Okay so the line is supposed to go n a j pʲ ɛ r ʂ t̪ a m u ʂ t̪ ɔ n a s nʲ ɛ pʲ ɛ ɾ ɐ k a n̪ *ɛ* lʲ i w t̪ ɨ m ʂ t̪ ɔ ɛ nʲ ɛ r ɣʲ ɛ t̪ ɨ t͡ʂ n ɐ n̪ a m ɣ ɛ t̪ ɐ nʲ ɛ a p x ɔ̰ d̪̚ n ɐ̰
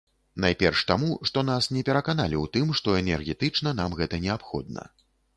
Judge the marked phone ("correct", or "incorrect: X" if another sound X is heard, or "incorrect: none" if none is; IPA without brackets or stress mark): incorrect: a